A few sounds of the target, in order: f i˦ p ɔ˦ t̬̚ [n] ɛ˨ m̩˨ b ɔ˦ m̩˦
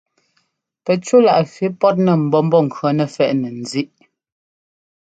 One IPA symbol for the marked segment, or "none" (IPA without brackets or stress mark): n